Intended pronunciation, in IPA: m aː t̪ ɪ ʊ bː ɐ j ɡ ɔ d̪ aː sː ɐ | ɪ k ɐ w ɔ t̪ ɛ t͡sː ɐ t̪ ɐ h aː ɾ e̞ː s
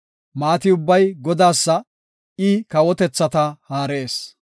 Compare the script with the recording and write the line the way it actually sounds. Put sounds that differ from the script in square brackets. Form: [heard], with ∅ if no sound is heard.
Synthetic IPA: m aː t̪ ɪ ʊ bː ɐ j ɡ ɔ d̪ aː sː ɐ | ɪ k ɐ w ɔ t̪ ɛ t͡sː ɐ t̪ ɐ h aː ɾ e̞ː s